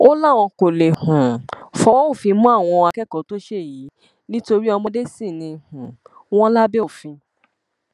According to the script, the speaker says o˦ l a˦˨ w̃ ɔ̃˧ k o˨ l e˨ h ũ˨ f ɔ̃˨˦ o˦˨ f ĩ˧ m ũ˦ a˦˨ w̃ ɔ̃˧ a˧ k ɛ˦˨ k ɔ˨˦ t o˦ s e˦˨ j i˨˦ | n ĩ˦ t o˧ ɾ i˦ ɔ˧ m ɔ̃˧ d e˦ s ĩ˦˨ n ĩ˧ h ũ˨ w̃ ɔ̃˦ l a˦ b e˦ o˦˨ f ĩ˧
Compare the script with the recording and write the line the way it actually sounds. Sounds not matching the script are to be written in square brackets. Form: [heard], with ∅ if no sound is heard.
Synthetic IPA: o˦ l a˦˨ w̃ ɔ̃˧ k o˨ l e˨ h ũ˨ f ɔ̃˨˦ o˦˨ f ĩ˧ m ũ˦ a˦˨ w̃ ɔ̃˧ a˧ k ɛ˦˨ k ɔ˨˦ t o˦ [ʃ] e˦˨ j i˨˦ | n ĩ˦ t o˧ ɾ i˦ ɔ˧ m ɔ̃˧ d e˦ s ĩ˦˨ n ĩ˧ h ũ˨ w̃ ɔ̃˦ l a˦ b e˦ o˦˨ f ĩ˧

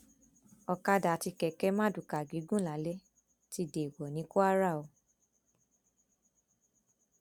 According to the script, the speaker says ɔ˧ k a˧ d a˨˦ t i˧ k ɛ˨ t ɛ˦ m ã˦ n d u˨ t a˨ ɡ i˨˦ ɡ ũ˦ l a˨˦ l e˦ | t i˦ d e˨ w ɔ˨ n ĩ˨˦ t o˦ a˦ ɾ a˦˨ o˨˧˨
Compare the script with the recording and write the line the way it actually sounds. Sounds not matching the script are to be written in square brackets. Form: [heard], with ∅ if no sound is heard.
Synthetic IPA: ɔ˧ k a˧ d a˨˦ t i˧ k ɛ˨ [k] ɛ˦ m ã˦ [∅] d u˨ [k] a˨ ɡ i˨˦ ɡ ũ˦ l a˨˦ l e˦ | t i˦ d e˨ w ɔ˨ n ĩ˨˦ [k] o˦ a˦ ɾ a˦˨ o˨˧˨

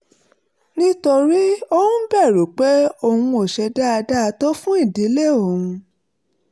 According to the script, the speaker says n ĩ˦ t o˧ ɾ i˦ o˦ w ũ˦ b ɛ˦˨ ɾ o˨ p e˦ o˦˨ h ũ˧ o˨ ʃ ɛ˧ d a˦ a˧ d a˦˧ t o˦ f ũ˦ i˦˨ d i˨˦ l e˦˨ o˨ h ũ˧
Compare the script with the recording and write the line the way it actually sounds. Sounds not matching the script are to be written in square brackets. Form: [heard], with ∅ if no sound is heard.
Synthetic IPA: n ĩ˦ t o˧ ɾ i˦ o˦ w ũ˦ b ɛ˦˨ ɾ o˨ [k͡p] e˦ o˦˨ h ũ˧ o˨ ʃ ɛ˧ d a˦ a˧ d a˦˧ t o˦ f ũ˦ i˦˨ d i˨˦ l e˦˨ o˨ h ũ˧

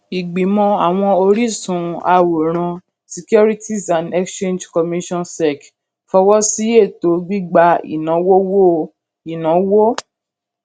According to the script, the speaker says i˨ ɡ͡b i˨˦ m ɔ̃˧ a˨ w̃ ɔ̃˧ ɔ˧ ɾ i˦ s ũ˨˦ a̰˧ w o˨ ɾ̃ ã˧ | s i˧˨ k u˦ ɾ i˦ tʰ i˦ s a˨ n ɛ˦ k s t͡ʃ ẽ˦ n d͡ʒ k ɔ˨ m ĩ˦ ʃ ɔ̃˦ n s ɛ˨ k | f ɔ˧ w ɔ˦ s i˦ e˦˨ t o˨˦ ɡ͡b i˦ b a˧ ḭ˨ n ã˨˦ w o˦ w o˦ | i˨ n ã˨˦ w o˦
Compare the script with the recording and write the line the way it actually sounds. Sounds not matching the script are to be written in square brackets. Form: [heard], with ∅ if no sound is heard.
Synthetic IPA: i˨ ɡ͡b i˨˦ m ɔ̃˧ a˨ w̃ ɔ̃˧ [o˧] ɾ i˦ s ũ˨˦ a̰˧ w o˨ ɾ̃ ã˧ | s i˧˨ k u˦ ɾ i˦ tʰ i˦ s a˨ n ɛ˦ k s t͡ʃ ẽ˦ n d͡ʒ k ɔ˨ m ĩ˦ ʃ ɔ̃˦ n s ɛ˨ k | f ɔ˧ w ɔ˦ s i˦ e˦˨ t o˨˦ ɡ͡b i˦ [ɡ͡b] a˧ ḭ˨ n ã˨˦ w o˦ w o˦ | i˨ n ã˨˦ w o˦

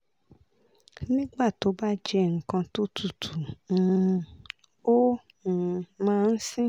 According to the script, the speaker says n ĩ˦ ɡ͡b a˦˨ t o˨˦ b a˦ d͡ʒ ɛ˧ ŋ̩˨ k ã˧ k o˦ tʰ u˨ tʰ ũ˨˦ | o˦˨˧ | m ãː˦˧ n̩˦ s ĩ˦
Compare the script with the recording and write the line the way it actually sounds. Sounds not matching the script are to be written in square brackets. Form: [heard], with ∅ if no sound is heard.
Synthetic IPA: n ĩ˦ ɡ͡b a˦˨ t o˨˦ b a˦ d͡ʒ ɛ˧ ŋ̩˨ k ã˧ [t] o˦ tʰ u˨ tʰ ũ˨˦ | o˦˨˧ | m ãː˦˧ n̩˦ s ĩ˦

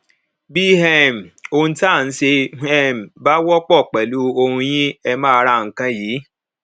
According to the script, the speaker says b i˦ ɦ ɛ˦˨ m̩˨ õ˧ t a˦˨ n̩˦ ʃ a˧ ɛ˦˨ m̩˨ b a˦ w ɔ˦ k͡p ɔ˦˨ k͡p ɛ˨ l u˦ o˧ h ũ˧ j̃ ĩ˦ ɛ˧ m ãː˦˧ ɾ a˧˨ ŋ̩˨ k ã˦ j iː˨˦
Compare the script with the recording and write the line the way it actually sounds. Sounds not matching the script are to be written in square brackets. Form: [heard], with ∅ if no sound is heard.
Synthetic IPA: b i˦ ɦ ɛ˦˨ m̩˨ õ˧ t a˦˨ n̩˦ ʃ [e˧] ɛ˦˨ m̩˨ b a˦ w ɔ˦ k͡p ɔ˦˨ k͡p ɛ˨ l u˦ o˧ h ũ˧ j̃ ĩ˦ ɛ˧ m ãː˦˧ ɾ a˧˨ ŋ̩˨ k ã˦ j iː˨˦

